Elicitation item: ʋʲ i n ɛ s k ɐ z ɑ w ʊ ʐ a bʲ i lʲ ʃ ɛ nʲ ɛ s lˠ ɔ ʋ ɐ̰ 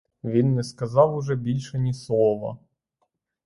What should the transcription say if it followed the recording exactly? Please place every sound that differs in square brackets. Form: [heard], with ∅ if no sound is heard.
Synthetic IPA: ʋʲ i [nː] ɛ s k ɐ z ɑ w ʊ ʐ [ɛ] bʲ i lʲ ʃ ɛ nʲ [i] s lˠ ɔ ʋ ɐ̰